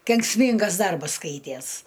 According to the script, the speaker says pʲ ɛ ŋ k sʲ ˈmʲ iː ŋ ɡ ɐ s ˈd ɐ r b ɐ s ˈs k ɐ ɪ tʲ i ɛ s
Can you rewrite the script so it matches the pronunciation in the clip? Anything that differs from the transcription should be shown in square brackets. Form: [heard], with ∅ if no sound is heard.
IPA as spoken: [kʲ] ɛ ŋ k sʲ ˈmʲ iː ŋ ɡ ɐ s ˈd ɐ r b ɐ s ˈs k ɐ ɪ tʲ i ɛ s

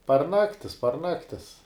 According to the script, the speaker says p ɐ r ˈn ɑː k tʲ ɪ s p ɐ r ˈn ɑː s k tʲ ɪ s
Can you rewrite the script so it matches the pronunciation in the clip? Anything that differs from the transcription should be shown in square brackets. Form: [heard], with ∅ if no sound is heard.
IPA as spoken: p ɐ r ˈn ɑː k tʲ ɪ s p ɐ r ˈn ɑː [∅] k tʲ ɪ s

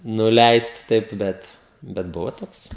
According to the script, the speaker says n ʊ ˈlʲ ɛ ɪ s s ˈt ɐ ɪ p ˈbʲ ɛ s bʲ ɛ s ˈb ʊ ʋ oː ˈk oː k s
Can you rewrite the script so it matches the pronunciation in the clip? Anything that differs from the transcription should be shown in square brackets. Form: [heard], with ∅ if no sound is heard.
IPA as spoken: n ʊ ˈlʲ ɛ ɪ s [t] ˈt ɐ ɪ p ˈbʲ ɛ [t] bʲ ɛ [t] ˈb ʊ ʋ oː [ˈt] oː k s

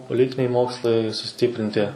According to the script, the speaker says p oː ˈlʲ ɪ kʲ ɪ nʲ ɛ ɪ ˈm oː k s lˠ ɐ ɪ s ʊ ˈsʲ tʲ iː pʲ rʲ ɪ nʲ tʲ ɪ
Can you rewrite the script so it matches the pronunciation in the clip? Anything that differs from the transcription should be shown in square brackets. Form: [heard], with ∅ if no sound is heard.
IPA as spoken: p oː ˈlʲ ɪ [tʲ] ɪ nʲ ɛ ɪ ˈm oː k s lˠ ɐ ɪ s ʊ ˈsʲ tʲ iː pʲ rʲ ɪ nʲ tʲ ɪ

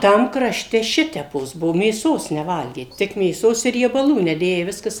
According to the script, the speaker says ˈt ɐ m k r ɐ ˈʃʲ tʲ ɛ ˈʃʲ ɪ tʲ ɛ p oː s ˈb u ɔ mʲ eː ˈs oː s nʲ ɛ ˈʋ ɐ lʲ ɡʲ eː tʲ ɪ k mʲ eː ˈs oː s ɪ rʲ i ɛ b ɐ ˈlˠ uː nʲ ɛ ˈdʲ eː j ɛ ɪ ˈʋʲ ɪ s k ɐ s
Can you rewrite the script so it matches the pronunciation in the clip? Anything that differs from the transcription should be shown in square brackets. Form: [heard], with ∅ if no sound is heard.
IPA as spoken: ˈt ɐ m k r ɐ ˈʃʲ tʲ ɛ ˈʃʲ ɪ tʲ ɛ p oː s ˈb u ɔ mʲ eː ˈs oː s nʲ ɛ ˈʋ ɐ lʲ ɡʲ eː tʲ ɪ k mʲ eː ˈs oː s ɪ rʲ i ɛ b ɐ ˈlˠ uː nʲ ɛ ˈdʲ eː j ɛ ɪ ˈʋʲ ɪ s k ɐ s

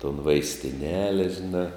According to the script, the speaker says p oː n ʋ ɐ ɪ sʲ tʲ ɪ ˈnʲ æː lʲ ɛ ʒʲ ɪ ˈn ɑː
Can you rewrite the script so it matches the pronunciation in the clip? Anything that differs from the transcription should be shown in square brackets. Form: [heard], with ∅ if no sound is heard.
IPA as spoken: [t] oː n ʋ ɐ ɪ sʲ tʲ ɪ ˈnʲ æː lʲ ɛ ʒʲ ɪ ˈn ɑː

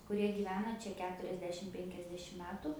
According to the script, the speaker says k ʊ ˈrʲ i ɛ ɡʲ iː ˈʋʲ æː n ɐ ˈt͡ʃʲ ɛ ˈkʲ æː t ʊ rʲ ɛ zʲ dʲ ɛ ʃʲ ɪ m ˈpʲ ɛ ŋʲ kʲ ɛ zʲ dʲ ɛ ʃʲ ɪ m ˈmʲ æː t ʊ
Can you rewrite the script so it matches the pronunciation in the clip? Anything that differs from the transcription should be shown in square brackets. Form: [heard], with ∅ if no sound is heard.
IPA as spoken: k ʊ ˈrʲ i ɛ ɡʲ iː ˈʋʲ æː n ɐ ˈt͡ʃʲ ɛ ˈkʲ æː t ʊ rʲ ɛ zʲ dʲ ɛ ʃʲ ɪ m ˈpʲ ɛ ŋʲ kʲ ɛ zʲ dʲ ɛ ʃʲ ɪ m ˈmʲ æː t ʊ

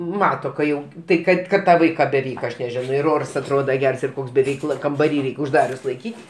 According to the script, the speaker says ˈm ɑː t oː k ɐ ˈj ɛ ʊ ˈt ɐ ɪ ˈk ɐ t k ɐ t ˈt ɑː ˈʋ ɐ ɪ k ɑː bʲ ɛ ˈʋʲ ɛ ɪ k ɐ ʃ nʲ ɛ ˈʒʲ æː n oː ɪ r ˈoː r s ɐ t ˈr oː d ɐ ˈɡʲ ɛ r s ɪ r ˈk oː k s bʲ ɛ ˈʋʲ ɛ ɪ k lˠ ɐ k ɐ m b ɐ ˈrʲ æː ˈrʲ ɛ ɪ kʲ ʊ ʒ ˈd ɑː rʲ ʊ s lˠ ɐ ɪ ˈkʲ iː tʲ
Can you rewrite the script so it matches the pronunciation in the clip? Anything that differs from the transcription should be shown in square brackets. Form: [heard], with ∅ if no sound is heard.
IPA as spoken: ˈm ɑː t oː k ɐ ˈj ɛ ʊ ˈt ɐ ɪ ˈk ɐ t k ɐ t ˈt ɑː ˈʋ ɐ ɪ k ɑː bʲ ɛ ˈʋʲ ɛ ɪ k ɐ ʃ nʲ ɛ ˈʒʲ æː n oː ɪ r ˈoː r s ɐ t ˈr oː d ɐ ˈɡʲ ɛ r s ɪ r ˈk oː k s bʲ ɛ ˈʋʲ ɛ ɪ k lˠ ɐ k ɐ m b ɐ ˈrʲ [iː] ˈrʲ ɛ ɪ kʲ ʊ ʒ ˈd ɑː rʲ ʊ s lˠ ɐ ɪ ˈkʲ iː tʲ

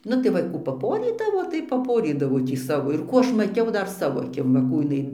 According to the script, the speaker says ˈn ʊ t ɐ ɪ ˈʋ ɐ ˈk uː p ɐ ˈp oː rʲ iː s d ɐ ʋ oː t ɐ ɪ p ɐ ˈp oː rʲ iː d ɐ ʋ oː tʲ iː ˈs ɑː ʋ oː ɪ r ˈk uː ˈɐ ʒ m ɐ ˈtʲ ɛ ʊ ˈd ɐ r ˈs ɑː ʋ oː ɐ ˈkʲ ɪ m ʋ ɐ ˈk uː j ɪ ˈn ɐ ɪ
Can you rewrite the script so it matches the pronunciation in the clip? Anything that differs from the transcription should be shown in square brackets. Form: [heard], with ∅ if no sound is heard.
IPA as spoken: ˈn ʊ t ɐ ɪ ˈʋ ɐ ˈk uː p ɐ ˈp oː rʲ iː [∅] d ɐ ʋ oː t ɐ ɪ p ɐ ˈp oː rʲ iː d ɐ ʋ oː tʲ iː ˈs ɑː ʋ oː ɪ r ˈk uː ˈɐ [ʃ] m ɐ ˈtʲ ɛ ʊ ˈd ɐ r ˈs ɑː ʋ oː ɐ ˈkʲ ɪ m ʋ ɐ ˈk uː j ɪ ˈn ɐ ɪ

